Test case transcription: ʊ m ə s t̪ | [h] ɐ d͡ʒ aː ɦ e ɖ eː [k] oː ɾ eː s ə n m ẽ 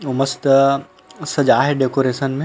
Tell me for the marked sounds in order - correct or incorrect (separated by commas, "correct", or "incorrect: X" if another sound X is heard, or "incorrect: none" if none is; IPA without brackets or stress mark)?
incorrect: s, correct